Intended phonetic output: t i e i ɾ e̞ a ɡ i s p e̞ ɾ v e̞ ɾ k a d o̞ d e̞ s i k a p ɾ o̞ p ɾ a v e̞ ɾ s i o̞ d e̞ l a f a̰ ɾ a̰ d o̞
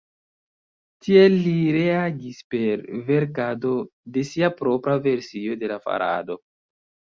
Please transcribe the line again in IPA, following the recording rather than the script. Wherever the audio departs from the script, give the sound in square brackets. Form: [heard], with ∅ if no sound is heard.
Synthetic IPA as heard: t i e i ɾ e̞ a ɡ i s p e̞ ɾ v e̞ ɾ k a d o̞ d e̞ s i [∅] a p ɾ o̞ p ɾ a v e̞ ɾ s i o̞ d e̞ l a f a̰ ɾ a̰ d o̞